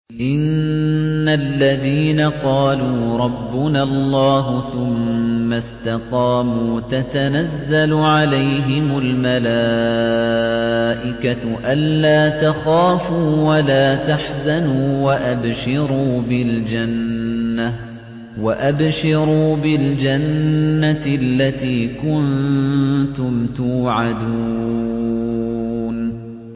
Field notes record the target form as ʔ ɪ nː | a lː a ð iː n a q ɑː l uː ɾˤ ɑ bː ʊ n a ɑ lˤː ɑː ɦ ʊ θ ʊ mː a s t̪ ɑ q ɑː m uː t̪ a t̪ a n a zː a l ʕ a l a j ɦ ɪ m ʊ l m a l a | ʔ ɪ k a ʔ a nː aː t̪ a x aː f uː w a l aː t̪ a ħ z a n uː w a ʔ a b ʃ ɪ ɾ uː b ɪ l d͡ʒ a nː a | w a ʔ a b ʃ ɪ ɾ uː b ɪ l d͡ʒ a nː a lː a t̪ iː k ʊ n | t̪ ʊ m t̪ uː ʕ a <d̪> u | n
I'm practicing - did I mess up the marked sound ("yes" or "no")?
no